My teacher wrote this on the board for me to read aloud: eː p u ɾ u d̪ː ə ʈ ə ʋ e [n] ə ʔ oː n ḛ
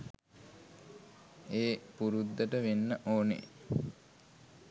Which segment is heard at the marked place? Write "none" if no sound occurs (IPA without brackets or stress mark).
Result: nː